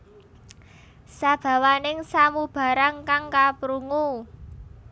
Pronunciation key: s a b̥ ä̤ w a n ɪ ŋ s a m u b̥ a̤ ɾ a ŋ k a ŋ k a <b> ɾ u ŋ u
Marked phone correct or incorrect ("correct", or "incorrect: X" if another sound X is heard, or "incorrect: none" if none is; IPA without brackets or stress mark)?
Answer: incorrect: p